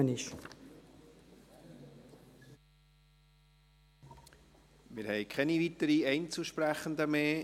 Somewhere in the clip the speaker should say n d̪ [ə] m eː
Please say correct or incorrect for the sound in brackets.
correct